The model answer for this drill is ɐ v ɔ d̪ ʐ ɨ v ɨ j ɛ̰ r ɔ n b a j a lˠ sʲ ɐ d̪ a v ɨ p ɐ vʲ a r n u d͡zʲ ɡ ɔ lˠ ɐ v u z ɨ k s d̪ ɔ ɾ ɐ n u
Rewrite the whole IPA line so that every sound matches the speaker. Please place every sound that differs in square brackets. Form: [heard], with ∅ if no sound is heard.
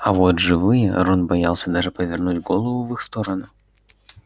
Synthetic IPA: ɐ v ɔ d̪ ʐ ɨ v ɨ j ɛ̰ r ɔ n b a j a lˠ sʲ ɐ d̪ a [ʐ] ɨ p ɐ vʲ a r n u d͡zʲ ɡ ɔ lˠ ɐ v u [v] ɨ [x] s [t̪] ɔ ɾ ɐ n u